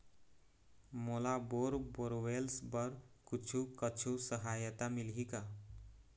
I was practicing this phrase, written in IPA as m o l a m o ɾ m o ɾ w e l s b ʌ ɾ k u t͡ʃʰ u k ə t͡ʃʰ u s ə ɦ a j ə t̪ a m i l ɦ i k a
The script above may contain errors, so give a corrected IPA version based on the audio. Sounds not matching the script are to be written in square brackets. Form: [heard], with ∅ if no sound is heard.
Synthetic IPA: m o l a [b] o ɾ [b] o ɾ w e l s b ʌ ɾ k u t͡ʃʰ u k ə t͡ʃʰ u s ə ɦ a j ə t̪ a m i l ɦ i k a